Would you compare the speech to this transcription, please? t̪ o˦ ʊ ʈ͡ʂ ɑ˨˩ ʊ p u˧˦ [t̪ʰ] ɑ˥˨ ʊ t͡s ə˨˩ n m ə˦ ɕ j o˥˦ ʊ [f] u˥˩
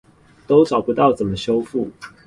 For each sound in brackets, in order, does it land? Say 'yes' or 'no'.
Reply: no, yes

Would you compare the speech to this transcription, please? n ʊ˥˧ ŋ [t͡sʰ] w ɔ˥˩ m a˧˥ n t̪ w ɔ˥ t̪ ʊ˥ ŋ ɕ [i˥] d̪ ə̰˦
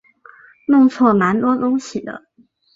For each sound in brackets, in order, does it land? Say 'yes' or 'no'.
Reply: yes, no

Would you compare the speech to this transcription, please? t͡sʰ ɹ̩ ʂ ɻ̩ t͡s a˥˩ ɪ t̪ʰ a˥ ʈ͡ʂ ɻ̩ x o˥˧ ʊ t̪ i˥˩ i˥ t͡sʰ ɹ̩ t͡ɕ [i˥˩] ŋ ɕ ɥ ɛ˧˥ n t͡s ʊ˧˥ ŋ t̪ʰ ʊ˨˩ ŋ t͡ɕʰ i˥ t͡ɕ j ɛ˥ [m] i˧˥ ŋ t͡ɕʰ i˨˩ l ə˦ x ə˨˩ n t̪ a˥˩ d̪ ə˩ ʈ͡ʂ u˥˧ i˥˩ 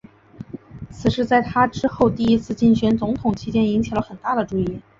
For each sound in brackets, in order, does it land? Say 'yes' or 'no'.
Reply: yes, no

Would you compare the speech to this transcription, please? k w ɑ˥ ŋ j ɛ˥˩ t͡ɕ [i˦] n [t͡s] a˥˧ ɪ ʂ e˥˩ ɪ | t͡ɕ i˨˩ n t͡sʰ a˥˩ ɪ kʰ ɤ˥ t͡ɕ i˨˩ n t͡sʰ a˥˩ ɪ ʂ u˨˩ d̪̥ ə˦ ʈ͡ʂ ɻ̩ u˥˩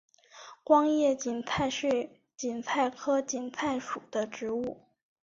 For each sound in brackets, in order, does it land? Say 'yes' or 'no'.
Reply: no, no

